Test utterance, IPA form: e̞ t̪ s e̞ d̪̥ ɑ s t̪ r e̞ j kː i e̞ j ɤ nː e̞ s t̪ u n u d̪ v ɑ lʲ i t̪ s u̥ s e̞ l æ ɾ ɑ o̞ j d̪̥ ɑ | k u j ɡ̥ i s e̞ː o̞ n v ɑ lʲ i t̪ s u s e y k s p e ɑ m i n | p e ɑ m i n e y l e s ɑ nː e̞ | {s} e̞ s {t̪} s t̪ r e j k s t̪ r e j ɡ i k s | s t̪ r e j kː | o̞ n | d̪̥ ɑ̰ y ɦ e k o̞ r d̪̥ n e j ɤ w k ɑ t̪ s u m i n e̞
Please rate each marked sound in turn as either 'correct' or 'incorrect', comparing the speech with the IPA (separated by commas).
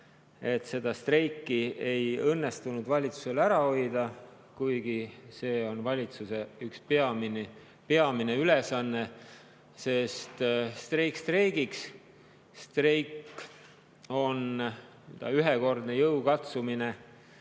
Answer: correct, correct